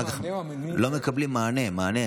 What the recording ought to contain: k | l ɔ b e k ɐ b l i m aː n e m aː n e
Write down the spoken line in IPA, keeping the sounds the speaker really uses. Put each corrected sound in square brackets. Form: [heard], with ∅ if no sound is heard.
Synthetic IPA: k | l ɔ [m] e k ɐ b l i m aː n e m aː n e